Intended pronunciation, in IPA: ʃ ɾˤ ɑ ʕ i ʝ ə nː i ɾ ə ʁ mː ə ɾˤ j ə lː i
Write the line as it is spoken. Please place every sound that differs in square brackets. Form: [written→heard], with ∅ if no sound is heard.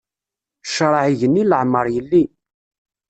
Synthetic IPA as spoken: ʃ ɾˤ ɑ ʕ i ʝ ə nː i [ɾ→l] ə [ʁ→ʕ] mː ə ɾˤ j ə lː i